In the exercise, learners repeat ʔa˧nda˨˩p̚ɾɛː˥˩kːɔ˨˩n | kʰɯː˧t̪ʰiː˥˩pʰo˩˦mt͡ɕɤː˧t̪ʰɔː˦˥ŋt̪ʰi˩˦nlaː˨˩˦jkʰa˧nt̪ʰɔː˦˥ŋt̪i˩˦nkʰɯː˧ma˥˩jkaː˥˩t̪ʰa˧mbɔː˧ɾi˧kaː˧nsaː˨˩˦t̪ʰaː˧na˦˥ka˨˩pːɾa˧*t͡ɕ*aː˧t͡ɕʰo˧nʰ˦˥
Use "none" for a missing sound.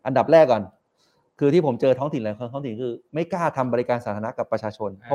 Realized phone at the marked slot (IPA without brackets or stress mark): t͡ɕʰ